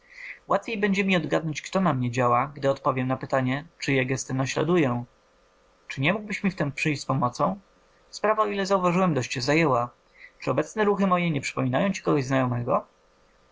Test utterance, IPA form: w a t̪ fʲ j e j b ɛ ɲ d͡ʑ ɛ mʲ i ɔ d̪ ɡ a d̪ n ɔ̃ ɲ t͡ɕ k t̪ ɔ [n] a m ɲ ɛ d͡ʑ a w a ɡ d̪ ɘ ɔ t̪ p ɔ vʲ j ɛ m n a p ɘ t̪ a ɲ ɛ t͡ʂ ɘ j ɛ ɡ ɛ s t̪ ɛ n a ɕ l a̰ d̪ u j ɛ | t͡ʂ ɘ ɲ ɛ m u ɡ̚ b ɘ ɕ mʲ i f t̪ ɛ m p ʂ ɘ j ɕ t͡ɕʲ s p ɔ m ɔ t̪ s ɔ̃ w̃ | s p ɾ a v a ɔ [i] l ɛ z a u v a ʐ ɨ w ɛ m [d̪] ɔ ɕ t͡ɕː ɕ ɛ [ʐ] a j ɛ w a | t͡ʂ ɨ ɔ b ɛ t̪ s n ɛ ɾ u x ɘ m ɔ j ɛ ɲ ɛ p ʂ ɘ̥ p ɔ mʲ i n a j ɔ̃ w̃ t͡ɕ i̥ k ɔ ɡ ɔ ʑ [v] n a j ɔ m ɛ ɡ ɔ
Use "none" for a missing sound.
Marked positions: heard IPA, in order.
n, i, d̪, z, z

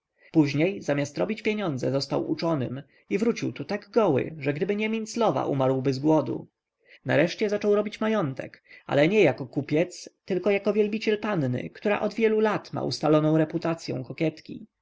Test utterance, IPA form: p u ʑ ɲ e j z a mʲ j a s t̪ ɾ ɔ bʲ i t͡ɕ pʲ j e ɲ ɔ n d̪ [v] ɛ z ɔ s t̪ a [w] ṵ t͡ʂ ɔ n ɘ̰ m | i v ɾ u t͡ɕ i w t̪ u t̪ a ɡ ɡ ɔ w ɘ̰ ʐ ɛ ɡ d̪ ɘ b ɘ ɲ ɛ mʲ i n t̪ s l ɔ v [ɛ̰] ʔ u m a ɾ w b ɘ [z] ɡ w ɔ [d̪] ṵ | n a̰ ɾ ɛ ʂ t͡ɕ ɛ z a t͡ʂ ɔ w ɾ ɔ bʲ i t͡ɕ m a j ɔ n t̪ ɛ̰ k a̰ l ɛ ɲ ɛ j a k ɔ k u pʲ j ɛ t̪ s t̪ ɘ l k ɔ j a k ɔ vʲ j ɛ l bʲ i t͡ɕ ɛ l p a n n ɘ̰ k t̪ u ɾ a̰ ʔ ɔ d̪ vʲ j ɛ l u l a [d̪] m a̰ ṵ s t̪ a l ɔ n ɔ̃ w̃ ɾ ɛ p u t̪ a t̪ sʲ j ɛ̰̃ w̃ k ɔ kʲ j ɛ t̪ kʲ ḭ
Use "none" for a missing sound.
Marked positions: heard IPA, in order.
z, w, a̰, z, d̪, t̪

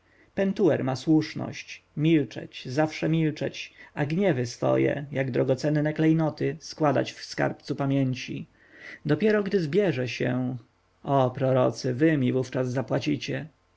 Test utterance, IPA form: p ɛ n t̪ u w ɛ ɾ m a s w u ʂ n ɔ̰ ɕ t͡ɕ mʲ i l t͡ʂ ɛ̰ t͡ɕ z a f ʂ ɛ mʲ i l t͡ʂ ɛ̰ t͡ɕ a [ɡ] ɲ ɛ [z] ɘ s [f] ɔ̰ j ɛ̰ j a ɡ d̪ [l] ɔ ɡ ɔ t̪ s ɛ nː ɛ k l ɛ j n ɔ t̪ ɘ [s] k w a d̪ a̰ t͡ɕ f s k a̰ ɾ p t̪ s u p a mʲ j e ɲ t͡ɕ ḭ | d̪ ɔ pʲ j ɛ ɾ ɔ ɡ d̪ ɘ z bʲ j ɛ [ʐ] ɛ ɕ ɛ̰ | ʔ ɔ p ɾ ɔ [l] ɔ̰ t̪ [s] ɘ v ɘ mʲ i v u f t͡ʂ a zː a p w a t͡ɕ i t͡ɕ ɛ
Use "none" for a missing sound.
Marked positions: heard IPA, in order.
ɡ, v, f, ɾ, s, ʐ, ɾ, s

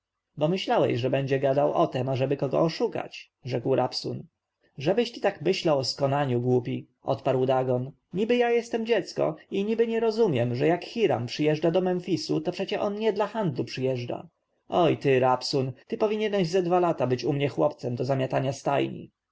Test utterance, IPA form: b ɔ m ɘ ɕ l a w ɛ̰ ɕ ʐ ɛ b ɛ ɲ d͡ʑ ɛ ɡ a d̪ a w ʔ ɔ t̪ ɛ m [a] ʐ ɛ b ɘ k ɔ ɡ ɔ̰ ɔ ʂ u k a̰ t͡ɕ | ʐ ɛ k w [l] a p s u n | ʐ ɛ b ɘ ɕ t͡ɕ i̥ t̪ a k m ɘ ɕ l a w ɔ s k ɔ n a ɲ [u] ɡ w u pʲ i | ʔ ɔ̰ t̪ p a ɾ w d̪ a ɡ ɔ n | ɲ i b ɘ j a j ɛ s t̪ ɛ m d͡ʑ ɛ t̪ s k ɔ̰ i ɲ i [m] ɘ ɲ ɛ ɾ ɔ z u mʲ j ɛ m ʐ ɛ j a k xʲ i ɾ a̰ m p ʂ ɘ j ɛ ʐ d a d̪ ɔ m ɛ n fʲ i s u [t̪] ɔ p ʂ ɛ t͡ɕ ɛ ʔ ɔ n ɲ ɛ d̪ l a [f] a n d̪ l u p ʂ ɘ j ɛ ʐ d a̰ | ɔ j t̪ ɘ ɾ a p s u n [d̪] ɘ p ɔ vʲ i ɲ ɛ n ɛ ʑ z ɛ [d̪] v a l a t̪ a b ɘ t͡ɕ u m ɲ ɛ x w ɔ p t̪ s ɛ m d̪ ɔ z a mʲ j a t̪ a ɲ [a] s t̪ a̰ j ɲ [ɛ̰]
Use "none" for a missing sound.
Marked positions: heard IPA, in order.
a, ɾ, u, b, t̪, x, t̪, d̪, a, ḭ

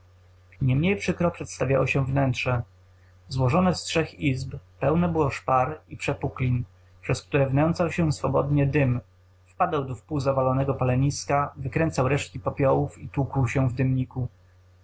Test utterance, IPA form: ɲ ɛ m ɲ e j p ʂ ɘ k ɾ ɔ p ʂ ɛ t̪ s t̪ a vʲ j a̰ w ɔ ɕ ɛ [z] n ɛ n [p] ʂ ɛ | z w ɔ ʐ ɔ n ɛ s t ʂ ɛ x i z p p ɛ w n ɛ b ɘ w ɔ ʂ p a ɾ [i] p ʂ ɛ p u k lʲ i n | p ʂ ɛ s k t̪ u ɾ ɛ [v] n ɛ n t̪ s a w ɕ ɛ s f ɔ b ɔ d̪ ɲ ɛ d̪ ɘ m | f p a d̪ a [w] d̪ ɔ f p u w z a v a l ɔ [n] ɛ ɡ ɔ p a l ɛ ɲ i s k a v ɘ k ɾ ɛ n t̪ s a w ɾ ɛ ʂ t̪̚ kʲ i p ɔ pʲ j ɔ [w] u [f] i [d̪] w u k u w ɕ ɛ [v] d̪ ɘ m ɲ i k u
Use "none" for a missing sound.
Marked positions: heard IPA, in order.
v, t, i, v, w, n, w, f, t̪, v

